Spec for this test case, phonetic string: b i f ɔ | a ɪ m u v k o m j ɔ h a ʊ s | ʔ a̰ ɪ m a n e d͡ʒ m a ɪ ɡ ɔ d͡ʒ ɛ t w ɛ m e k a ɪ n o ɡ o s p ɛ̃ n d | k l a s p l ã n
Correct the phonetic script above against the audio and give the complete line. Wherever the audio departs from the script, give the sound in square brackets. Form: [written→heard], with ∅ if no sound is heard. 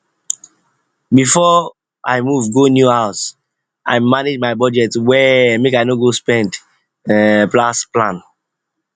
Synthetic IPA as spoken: b i f ɔ | a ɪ m u v [k→ɡ] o [m→n] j [ɔ→u] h a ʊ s | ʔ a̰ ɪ m a n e d͡ʒ m a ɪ [ɡ→b] ɔ d͡ʒ ɛ t w ɛ m e k a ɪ n o ɡ o s p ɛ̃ n d | [k→p] l a s p l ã n